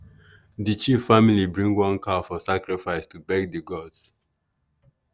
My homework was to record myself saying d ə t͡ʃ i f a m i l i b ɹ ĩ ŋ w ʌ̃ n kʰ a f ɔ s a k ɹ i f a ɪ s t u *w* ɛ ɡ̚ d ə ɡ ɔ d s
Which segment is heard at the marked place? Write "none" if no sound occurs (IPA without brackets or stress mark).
b